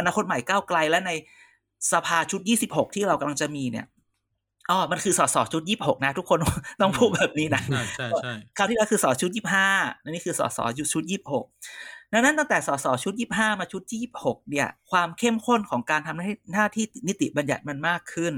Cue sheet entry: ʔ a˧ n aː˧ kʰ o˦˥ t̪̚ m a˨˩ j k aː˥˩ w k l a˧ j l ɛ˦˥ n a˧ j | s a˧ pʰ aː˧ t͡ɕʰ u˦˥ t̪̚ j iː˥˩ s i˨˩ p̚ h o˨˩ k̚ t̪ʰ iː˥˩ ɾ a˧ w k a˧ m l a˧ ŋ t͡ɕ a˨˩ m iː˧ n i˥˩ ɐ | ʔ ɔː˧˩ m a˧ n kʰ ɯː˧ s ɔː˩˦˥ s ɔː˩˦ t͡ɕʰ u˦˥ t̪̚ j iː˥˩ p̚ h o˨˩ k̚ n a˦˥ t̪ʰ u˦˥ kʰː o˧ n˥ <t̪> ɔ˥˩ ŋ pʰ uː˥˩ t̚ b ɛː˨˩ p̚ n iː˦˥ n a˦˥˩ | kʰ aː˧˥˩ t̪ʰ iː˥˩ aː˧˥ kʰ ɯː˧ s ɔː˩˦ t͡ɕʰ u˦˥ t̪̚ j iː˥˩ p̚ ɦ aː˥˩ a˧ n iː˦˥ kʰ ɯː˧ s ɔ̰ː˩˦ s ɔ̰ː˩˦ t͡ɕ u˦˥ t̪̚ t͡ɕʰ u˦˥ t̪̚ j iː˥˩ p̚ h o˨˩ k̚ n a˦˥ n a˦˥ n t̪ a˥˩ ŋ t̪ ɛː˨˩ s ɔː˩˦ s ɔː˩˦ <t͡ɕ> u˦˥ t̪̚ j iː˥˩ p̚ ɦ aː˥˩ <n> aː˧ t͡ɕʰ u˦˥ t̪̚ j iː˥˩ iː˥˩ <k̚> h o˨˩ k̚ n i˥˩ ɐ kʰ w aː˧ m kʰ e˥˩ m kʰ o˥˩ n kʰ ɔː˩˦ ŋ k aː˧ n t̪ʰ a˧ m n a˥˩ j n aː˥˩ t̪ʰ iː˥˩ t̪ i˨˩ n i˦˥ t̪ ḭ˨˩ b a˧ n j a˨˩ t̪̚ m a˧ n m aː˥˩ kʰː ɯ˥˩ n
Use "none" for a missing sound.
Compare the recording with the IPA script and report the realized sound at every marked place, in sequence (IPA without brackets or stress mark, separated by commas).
t̪, t͡ɕʰ, m, p̚